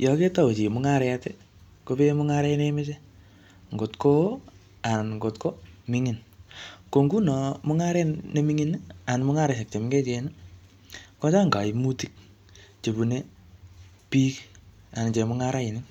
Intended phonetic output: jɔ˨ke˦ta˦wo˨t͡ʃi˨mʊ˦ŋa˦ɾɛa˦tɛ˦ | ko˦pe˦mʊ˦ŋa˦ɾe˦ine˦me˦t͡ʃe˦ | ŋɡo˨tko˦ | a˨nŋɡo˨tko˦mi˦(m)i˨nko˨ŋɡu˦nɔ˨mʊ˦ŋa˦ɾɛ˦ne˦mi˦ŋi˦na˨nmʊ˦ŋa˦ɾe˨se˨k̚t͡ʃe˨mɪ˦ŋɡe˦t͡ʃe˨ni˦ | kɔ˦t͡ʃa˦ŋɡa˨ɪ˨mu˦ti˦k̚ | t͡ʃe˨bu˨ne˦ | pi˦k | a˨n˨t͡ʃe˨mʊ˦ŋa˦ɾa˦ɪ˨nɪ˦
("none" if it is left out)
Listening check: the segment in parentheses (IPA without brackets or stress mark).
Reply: ŋ